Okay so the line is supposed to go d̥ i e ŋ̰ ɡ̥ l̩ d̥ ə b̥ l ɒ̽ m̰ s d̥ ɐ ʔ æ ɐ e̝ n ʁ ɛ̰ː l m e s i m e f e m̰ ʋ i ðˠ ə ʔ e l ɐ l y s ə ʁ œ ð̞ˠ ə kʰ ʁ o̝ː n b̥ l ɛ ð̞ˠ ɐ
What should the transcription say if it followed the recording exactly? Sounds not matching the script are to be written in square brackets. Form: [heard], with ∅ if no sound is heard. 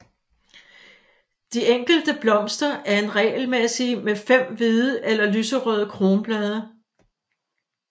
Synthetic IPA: d̥ i e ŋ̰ ɡ̥ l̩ d̥ ə b̥ l ɒ̽ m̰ s d̥ ɐ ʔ æ ɐ e̝ n ʁ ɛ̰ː l m e s i m e f e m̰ ʋ i ðˠ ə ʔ e l ɐ l y s ə ʁ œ ð̞ˠ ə kʰ ʁ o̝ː n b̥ l ɛ ð̞ˠ ɐ